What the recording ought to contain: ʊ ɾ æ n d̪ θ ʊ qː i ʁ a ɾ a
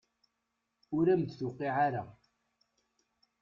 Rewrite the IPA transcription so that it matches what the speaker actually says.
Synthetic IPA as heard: ʊ ɾ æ m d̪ θ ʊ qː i ʕ a ɾ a